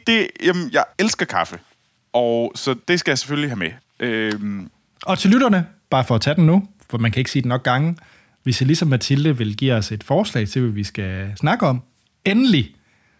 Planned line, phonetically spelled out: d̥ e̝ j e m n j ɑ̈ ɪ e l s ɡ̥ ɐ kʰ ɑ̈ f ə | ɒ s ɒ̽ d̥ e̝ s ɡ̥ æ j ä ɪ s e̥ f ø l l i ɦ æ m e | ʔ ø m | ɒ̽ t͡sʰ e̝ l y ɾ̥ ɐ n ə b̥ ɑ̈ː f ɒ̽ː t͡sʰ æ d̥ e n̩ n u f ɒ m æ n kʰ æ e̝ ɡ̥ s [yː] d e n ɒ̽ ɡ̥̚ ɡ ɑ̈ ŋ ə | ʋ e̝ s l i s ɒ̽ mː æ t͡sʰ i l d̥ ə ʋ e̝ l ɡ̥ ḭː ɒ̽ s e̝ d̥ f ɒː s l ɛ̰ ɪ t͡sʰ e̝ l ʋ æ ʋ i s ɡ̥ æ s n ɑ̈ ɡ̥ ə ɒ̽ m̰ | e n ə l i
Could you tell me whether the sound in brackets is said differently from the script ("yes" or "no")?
yes